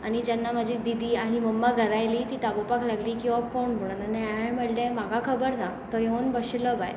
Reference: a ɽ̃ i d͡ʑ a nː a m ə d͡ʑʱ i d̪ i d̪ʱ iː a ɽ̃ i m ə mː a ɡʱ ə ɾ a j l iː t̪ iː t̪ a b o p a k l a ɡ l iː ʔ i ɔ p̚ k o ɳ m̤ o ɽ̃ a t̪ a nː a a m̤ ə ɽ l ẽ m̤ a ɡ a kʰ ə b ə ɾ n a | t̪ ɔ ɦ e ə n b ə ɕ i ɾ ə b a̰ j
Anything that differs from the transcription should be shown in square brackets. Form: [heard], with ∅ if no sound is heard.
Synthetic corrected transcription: a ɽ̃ i d͡ʑ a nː a m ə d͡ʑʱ i d̪ i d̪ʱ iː a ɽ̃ i m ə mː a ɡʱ ə ɾ a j l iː t̪ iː t̪ a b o p a k l a ɡ l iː [k] i ɔ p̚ k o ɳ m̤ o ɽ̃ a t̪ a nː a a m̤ ə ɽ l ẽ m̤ a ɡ a kʰ ə b ə ɾ n a | t̪ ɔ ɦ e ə n b ə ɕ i [l] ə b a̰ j